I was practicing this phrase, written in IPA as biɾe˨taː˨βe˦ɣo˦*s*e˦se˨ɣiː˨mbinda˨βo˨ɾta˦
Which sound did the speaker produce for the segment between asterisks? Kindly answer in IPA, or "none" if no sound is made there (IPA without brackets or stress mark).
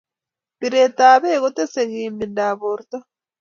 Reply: t